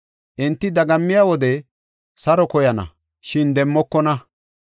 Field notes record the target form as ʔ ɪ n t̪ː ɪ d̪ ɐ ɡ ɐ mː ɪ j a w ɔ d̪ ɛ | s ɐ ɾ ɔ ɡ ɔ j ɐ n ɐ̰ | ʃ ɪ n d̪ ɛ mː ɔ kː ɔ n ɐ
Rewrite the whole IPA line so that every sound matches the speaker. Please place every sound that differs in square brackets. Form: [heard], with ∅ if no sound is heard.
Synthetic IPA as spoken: ʔ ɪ n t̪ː ɪ d̪ ɐ ɡ ɐ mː ɪ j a w ɔ d̪ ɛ | s ɐ ɾ ɔ [k] ɔ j ɐ n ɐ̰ | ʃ ɪ n d̪ ɛ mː ɔ kː ɔ n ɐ